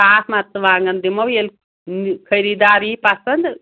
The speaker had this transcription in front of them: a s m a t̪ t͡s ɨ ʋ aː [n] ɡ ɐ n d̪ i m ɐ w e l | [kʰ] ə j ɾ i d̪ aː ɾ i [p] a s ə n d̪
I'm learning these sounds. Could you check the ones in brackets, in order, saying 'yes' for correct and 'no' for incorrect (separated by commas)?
no, yes, yes